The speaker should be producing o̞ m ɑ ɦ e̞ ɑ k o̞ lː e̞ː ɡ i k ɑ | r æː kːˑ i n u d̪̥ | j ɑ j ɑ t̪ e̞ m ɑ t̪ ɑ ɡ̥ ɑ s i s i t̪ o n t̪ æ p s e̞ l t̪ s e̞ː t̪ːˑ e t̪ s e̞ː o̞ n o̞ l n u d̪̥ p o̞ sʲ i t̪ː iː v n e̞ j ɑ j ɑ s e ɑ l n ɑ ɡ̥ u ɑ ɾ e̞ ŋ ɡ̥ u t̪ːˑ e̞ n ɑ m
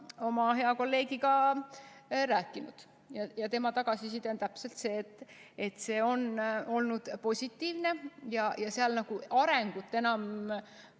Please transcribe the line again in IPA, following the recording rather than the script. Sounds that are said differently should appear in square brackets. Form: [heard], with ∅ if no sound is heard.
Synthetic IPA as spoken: o̞ m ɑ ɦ e̞ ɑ k o̞ lː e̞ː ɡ i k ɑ | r æː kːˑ i n u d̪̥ | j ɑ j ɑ t̪ e̞ m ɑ t̪ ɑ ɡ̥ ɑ s i s i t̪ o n t̪ æ p s e̞ l t̪ s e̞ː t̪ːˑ e t̪ s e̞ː o̞ n o̞ l n u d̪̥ p o̞ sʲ i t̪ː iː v n e̞ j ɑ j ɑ s e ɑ l n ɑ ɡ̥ u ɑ ɾ e̞ ŋ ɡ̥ u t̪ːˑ e̞ n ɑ m